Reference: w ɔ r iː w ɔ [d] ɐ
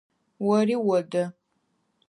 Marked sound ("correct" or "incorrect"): correct